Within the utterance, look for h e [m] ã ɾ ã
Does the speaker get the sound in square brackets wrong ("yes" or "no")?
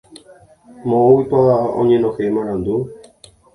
no